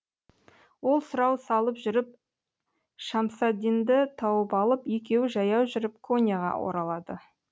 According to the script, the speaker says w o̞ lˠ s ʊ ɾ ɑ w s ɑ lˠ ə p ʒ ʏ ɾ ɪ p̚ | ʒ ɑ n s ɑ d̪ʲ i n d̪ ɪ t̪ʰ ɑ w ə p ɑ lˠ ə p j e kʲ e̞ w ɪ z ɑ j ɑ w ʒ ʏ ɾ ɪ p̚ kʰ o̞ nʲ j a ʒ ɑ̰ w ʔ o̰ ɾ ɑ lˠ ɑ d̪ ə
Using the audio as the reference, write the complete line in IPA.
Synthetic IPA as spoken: w o̞ lˠ s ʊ ɾ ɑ w s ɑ lˠ ə p ʒ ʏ ɾ ɪ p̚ | ʃ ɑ m s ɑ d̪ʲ i n d̪ ɪ t̪ʰ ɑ w ə p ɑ lˠ ə p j e kʲ e̞ w ɪ ʒ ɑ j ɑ w ʒ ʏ ɾ ɪ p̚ kʰ o̞ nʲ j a ʁ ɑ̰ w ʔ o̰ ɾ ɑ lˠ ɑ d̪ ə